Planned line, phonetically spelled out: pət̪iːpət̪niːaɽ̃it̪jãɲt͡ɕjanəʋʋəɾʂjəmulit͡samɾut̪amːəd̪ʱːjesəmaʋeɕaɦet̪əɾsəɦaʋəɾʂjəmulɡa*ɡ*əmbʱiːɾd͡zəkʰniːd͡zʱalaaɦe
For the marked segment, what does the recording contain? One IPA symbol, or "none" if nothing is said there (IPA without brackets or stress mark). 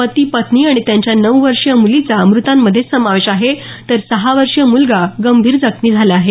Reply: ɡ